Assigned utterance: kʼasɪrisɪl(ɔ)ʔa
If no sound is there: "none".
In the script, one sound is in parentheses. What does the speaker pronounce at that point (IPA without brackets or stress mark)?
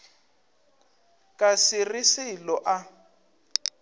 ɔ